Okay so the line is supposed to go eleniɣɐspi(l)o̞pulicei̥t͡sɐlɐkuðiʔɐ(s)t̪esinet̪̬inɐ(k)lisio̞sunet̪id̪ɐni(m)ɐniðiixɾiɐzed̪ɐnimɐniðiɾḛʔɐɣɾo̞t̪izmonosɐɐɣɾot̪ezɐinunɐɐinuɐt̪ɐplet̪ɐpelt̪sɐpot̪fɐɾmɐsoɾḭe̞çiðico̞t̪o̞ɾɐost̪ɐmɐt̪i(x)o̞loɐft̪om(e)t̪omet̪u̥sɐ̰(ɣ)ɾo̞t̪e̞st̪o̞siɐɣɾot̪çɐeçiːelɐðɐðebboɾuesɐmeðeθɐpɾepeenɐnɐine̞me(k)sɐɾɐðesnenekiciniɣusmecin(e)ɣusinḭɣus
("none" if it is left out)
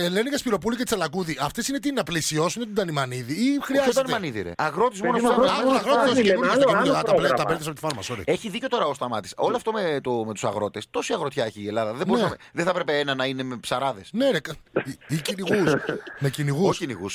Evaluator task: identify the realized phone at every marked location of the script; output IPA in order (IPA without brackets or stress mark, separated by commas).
ɾ, f, p, m, s, e, ɣ, p, i